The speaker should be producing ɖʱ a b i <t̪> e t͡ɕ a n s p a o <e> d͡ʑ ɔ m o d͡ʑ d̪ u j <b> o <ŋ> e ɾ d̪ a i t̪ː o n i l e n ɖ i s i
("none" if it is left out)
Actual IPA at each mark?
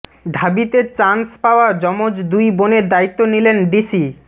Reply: t̪, a, b, n

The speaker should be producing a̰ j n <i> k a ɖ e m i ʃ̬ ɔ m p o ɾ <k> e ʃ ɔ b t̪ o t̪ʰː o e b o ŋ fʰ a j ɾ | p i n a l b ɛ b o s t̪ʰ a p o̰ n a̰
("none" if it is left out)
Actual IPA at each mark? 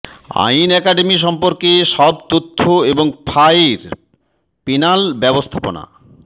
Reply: ɛ, k

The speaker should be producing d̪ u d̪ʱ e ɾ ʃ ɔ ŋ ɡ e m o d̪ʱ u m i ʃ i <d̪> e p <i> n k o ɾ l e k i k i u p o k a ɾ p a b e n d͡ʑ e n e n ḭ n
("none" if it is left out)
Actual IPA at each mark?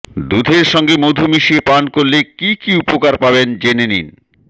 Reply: none, a

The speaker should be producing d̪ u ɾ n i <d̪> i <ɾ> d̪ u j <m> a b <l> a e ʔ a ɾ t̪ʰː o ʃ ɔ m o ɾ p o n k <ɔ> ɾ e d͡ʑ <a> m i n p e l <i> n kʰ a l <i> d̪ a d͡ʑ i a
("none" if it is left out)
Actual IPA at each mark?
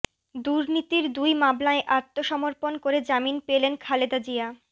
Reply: t̪, ɾ, m, l, o, a, e, e

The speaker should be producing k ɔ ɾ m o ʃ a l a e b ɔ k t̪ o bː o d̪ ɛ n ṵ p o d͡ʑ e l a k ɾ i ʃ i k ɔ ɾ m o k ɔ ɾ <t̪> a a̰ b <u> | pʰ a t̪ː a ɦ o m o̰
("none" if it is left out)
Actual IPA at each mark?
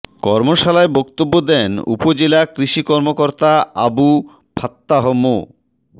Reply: t̪, u

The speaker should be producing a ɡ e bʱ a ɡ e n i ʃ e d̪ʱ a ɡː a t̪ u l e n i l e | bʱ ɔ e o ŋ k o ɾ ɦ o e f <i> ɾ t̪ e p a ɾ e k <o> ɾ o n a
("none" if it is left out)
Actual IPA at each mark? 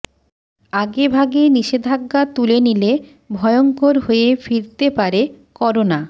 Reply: i, ɔ

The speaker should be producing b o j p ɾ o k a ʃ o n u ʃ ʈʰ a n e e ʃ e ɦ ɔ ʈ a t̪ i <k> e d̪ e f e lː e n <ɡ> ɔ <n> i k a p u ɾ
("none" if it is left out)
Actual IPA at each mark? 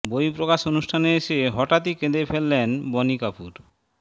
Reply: k, b, n

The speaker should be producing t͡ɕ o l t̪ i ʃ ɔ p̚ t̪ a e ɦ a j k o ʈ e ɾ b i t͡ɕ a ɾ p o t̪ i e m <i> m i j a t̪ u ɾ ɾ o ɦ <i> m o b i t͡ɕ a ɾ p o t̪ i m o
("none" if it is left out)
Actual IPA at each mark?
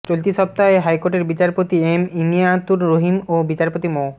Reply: i, i

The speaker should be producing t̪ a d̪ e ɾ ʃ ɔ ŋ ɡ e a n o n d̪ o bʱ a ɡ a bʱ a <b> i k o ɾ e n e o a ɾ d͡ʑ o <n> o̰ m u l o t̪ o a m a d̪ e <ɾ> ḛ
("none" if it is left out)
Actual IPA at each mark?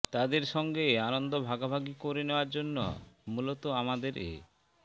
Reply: ɡ, nː, ɾ

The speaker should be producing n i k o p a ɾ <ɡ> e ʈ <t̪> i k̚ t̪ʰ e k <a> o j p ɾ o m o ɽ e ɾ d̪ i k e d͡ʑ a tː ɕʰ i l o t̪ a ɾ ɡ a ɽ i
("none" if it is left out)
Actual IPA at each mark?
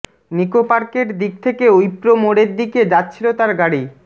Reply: k, d̪, e

